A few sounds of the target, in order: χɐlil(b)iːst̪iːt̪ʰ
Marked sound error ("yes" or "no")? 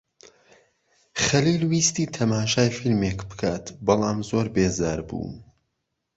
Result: yes